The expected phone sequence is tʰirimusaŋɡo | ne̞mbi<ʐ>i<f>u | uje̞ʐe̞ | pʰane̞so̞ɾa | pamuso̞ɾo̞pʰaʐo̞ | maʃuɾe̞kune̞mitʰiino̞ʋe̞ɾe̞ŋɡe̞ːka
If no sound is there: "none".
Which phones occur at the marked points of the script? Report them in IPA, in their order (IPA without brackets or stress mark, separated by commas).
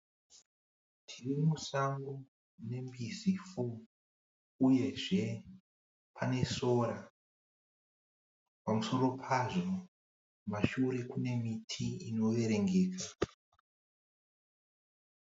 z, f